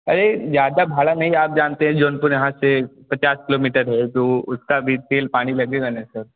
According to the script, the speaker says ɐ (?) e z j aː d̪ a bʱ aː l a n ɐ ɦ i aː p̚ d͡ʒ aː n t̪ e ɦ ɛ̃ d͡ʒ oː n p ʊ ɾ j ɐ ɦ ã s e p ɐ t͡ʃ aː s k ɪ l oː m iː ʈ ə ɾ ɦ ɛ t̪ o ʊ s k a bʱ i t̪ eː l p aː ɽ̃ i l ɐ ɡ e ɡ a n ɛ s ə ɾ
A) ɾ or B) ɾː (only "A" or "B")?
A